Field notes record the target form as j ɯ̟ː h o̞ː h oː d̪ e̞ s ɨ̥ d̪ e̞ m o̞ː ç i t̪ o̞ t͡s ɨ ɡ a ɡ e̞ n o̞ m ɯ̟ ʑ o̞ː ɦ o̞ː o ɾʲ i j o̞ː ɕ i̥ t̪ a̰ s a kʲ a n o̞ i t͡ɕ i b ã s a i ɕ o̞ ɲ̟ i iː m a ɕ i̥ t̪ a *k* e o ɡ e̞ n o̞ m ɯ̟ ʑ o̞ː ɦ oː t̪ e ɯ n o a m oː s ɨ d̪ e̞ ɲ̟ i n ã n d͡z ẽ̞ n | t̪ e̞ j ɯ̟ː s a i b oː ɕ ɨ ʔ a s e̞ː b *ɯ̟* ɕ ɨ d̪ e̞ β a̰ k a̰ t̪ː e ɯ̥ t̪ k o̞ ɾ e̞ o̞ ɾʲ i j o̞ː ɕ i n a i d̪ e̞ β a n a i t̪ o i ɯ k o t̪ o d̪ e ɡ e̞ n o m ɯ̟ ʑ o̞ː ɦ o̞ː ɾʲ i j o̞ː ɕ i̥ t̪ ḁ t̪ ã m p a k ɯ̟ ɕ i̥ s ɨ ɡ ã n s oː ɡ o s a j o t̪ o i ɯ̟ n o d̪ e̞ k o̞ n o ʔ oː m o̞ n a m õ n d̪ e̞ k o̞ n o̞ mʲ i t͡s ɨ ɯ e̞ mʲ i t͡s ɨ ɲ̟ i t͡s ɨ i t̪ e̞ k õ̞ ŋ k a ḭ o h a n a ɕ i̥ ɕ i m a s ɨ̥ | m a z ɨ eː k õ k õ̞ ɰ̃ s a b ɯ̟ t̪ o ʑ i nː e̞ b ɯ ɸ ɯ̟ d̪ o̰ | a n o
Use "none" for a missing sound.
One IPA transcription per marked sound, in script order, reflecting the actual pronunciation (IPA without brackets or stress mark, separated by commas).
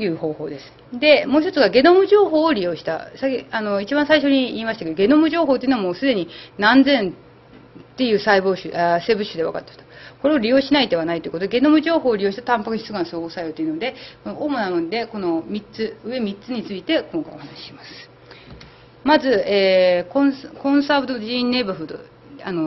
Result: k, ɯ̟